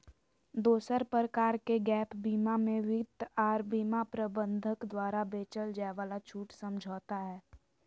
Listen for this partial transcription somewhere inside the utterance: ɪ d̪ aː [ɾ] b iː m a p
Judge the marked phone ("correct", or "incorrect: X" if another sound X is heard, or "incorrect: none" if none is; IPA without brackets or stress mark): correct